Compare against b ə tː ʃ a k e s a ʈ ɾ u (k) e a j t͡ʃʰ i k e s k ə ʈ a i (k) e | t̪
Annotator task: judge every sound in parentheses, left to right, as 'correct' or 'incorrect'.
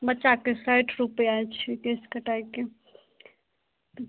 incorrect, correct

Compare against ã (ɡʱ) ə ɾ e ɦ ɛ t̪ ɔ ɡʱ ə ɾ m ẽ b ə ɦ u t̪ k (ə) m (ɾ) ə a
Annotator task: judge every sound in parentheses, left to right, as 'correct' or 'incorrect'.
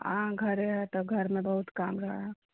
correct, incorrect, correct

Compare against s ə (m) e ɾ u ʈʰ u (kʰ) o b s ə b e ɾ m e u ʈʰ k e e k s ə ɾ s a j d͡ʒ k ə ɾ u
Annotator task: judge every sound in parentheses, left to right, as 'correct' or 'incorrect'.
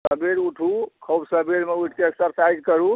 incorrect, correct

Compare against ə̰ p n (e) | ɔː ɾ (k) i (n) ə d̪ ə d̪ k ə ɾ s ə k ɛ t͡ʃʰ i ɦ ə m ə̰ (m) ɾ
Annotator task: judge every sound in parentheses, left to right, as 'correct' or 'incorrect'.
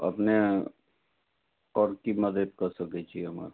correct, correct, incorrect, incorrect

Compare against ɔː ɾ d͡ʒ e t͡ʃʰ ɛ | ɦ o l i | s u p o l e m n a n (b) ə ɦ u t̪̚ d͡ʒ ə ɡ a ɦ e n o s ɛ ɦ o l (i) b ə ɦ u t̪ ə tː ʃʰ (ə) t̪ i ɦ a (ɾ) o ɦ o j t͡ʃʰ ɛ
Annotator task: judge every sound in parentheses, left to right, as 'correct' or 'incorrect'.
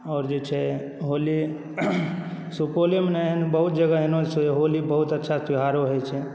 correct, correct, incorrect, correct

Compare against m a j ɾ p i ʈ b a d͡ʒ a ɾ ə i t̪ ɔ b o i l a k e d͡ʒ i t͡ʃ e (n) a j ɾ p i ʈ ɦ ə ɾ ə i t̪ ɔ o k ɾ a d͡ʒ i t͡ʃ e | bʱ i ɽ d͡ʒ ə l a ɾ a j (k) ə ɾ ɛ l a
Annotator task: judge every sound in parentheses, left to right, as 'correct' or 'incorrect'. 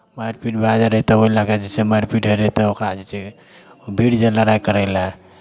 incorrect, correct

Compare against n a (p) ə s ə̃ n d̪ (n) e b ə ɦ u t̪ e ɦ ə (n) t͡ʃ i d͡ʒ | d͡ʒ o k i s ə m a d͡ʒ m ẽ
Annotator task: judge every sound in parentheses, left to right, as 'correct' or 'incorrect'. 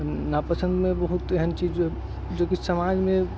correct, incorrect, correct

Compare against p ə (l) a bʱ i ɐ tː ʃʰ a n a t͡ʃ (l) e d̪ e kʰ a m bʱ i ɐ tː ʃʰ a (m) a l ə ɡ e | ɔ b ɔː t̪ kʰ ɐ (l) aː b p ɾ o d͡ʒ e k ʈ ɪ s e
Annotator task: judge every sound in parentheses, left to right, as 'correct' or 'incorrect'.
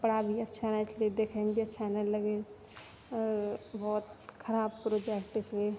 incorrect, correct, incorrect, incorrect

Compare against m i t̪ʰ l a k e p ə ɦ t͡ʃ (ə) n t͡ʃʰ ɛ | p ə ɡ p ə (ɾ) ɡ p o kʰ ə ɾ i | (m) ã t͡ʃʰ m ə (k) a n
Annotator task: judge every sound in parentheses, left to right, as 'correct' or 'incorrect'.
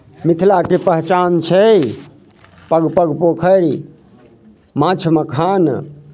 incorrect, incorrect, correct, incorrect

